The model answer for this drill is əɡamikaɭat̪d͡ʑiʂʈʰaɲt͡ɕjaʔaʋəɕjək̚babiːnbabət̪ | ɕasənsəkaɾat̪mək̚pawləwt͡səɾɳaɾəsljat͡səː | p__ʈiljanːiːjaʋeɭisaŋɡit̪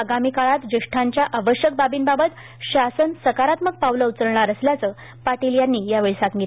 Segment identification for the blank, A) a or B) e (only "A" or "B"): A